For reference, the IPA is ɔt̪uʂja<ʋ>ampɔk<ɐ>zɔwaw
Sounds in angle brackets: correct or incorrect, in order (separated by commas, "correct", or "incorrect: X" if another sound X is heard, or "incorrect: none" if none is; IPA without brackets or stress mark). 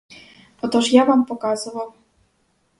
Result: incorrect: v, incorrect: a